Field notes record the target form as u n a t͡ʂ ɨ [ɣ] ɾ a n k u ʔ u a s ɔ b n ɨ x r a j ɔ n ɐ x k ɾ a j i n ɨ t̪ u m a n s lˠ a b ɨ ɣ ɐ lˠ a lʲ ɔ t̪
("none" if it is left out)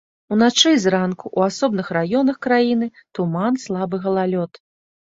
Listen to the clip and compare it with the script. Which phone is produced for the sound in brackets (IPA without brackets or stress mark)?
z